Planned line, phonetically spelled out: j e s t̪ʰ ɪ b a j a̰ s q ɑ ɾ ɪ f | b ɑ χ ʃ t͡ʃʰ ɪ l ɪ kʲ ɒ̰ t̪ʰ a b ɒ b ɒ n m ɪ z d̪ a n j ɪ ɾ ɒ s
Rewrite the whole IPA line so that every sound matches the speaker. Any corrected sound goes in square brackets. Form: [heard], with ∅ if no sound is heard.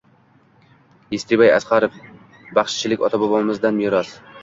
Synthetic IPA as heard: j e s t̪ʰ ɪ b a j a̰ s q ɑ ɾ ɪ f | b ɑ χ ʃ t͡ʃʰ ɪ l ɪ kʲ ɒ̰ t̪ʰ a b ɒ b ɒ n m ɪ z d̪ a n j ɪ ɾ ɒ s